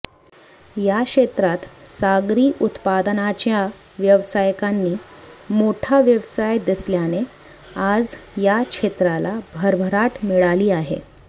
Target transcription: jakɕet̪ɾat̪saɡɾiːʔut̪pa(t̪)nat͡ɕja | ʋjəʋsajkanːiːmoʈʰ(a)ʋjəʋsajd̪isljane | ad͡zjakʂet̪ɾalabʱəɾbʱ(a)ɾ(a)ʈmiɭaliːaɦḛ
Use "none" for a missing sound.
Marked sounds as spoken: d̪, a, ə, a

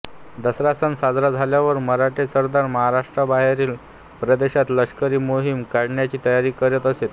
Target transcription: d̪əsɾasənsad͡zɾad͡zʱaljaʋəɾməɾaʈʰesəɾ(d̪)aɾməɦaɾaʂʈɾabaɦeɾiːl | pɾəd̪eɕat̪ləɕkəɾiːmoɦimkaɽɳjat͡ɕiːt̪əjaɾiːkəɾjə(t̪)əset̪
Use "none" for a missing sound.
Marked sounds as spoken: d̪, t̪

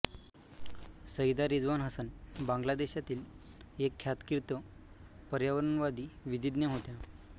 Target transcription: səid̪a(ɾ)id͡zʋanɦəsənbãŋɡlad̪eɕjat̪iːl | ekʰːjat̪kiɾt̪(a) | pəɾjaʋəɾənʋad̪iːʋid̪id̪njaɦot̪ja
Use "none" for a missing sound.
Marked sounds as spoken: ɾ, ə

